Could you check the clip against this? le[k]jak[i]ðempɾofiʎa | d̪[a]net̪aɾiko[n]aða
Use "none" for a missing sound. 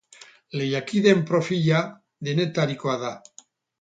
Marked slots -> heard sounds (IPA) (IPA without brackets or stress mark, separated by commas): none, i, e, none